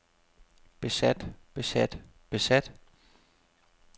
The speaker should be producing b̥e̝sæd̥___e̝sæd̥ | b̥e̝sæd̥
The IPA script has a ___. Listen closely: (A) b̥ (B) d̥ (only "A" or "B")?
A